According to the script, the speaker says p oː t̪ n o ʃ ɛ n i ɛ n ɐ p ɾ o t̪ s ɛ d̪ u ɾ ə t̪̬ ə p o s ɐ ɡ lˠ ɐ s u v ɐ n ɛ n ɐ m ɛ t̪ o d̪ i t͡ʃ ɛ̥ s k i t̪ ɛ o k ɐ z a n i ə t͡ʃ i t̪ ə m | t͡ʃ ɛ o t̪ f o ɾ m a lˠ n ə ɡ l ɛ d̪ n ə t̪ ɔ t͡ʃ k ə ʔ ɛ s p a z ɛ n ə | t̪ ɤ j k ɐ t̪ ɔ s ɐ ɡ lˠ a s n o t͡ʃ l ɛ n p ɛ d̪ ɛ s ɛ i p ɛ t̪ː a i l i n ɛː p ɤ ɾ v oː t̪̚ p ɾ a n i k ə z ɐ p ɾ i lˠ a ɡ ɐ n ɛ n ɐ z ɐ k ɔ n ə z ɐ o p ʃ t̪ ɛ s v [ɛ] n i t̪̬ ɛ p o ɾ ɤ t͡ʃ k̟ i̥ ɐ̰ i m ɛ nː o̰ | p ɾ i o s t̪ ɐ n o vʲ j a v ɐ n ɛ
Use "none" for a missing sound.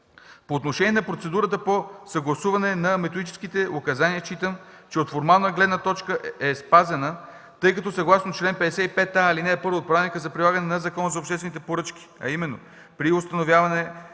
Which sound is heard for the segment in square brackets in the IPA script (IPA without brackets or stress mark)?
ɛ